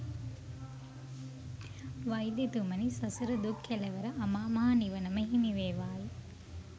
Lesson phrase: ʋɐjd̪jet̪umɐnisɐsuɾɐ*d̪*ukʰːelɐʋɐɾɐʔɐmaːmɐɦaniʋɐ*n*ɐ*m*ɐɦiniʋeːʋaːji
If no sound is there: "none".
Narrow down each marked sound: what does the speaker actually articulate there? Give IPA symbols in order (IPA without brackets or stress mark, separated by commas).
d̪, n, m